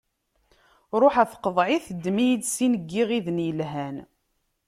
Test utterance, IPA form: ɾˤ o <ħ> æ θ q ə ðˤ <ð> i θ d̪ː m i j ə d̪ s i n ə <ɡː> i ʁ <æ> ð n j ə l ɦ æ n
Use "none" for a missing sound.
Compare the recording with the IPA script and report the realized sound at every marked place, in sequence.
ħ, ʕ, ɡː, i

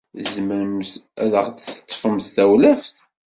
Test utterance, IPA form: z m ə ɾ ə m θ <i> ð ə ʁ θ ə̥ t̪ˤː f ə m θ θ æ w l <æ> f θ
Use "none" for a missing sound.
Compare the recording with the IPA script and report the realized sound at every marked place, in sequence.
æ, æ

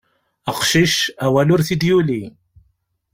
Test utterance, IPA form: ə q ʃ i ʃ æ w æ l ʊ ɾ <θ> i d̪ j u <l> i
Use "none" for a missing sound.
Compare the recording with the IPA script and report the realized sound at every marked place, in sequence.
θ, l

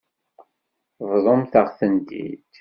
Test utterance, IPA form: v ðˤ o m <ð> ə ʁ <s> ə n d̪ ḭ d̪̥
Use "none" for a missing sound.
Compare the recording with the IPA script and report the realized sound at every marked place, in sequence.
θ, θ

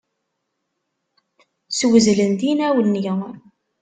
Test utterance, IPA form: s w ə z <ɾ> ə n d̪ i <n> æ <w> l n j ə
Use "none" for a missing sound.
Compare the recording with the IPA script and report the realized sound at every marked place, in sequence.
l, n, w

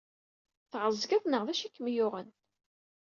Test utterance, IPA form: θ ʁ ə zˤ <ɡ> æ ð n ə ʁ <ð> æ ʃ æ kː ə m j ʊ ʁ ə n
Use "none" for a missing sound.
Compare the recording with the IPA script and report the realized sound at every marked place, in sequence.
ɡ, ð

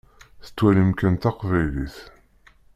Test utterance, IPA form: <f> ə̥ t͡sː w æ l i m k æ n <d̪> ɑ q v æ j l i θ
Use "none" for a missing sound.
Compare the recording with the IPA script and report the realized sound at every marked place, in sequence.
θ, t̪

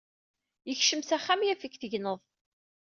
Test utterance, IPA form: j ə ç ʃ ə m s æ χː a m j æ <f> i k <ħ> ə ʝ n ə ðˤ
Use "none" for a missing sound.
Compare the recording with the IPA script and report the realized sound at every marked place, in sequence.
f, θ

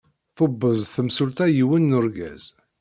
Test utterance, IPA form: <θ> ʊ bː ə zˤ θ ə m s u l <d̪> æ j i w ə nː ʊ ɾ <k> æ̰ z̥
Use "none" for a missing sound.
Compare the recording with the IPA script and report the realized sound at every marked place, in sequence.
θ, t̪, ɡ

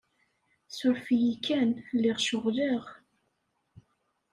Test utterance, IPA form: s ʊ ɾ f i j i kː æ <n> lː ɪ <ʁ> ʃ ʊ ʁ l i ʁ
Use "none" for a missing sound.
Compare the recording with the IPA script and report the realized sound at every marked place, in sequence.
n, ʁ

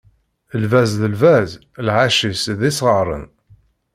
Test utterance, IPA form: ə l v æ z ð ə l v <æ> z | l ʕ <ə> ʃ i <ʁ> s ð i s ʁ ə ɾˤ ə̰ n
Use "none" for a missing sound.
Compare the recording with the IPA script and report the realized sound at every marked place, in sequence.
æ, a, none

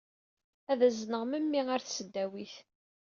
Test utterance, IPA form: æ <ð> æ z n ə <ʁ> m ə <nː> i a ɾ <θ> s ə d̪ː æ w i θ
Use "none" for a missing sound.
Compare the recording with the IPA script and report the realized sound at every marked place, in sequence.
ð, ʁ, mː, θ

